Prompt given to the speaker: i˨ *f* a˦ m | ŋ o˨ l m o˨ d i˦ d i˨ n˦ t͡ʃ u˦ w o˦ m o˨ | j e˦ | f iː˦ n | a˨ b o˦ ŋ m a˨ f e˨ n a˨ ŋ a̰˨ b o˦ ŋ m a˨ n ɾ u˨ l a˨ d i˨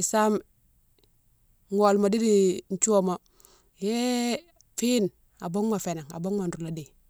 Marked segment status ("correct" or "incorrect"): incorrect